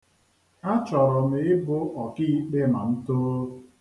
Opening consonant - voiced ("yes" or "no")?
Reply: no